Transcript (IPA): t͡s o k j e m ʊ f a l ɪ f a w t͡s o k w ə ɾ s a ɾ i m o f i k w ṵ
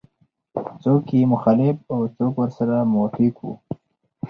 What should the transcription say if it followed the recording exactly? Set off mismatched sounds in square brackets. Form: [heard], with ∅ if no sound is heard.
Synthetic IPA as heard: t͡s o k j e m ʊ [x] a l ɪ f a w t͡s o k w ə ɾ s a ɾ [a] m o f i k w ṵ